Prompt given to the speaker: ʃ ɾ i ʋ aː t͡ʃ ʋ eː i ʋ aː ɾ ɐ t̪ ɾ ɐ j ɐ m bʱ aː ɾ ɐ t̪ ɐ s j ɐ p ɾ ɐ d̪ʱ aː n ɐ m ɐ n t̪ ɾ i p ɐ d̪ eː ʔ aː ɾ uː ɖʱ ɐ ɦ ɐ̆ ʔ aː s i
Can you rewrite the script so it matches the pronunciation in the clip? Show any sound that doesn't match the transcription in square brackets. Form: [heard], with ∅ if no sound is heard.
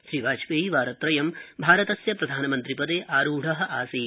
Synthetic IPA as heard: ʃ ɾ i ʋ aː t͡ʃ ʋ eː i ʋ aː ɾ ɐ t̪ ɾ ɐ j ɐ m bʱ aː ɾ ɐ t̪ ɐ s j ɐ p ɾ ɐ d̪ʱ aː n ɐ m ɐ n t̪ ɾ i p ɐ d̪ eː ʔ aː ɾ uː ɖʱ ɐ ɦ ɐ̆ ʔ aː s i